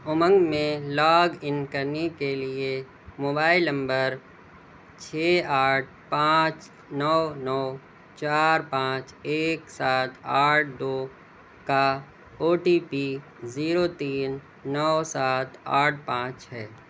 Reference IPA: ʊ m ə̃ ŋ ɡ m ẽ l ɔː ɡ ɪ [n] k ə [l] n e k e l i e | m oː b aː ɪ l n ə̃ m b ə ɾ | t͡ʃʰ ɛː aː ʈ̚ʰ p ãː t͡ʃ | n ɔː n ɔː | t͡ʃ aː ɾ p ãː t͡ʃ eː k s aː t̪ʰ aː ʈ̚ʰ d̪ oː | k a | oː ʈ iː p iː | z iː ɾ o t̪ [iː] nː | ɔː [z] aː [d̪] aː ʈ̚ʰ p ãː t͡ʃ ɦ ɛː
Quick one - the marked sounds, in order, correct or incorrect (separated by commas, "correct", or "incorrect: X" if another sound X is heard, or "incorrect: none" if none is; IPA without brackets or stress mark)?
correct, incorrect: ɾ, correct, incorrect: s, incorrect: t̪